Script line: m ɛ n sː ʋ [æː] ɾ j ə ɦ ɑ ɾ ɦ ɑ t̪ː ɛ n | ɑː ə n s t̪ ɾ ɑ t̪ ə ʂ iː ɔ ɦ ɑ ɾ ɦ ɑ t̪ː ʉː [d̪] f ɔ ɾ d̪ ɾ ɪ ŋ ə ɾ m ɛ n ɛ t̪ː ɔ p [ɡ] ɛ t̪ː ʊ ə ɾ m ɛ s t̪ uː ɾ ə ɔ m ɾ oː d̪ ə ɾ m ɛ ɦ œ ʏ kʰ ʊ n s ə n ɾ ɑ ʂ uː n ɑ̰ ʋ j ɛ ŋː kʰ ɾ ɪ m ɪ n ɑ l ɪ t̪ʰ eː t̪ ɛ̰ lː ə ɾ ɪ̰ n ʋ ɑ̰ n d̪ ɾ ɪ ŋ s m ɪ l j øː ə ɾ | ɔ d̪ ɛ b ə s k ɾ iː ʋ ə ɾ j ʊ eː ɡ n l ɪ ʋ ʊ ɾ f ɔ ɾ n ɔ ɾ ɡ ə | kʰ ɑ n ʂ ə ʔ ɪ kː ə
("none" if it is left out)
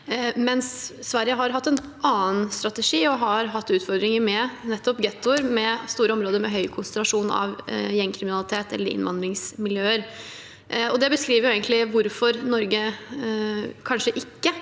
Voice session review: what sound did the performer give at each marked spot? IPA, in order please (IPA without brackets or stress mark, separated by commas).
æ, t̪, ɡ